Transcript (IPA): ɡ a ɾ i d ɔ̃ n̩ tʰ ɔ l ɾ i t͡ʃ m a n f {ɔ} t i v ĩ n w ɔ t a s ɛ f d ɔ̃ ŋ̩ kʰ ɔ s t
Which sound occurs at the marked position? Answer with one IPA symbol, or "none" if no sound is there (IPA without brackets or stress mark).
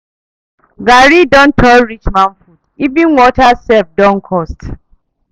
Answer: u